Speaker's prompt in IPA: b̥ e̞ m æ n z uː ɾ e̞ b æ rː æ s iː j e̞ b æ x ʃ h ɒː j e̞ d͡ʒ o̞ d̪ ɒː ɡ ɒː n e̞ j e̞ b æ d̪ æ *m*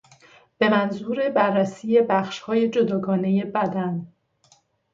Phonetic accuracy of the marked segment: incorrect: n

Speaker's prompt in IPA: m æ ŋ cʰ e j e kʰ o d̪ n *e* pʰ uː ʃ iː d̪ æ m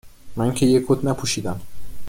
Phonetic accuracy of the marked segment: incorrect: æ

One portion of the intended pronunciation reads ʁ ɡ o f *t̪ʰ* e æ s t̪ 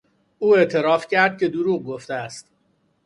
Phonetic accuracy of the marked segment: incorrect: t̪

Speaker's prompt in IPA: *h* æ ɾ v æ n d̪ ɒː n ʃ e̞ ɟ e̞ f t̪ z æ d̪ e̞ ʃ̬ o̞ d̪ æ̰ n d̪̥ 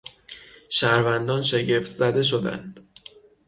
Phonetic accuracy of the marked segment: incorrect: ʃ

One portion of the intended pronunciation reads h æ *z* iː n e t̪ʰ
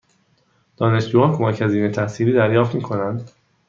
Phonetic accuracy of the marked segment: correct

